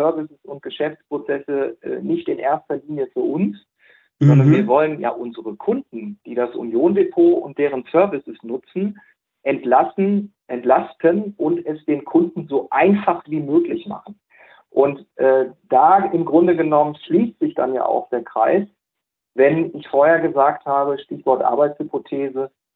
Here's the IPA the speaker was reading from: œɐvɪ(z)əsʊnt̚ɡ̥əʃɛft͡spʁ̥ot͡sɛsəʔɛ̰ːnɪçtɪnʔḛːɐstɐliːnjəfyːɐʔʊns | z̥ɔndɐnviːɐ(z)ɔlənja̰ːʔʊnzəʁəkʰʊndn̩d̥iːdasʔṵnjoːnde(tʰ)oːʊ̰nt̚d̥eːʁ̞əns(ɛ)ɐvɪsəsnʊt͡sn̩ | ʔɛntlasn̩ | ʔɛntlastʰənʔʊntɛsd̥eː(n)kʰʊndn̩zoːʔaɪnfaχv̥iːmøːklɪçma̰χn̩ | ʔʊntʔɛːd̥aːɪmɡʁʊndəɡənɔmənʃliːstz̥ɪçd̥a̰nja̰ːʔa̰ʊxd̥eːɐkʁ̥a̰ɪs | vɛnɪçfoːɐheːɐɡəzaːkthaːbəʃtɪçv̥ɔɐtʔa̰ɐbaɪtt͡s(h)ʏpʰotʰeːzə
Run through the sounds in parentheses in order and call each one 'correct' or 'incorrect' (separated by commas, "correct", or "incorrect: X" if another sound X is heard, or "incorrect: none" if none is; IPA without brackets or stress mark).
incorrect: s, incorrect: v, incorrect: pʰ, incorrect: œ, correct, correct